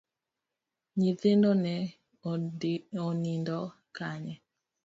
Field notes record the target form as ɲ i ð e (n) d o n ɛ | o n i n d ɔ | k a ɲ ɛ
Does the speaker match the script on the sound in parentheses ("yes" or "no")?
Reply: yes